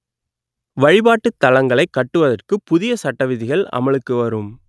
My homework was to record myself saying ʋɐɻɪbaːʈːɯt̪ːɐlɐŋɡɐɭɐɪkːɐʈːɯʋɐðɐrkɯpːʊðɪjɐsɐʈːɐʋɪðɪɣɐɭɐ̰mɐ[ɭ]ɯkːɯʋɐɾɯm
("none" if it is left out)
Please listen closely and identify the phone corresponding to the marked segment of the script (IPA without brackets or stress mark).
ɭ